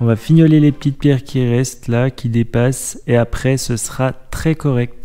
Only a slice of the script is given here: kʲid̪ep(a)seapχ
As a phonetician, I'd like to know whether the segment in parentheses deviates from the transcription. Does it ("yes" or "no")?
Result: no